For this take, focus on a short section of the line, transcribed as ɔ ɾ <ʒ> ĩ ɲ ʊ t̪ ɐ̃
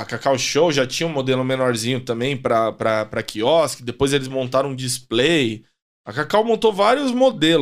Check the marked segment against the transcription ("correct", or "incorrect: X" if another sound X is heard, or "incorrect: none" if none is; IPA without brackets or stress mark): incorrect: z